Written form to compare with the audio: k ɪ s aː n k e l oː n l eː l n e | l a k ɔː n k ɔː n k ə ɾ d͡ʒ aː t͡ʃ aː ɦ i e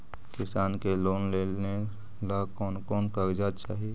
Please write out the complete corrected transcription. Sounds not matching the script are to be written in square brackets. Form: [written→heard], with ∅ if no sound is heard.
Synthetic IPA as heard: k ɪ s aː n k e l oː n l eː l n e | l a k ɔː n k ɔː n k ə ɾ d͡ʒ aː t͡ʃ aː ɦ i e